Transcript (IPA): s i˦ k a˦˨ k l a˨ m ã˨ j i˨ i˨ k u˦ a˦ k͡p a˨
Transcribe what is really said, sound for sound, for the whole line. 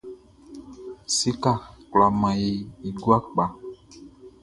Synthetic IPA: s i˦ k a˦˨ k l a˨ m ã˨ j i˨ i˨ ɡ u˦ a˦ k͡p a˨